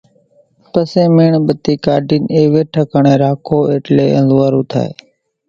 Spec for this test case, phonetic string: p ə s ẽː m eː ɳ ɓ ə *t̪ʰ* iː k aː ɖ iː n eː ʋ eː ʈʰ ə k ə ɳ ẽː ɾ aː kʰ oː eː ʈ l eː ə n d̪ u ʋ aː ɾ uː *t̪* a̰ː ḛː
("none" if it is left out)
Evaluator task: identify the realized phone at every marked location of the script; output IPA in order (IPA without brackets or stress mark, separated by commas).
t̪, t̪ʰ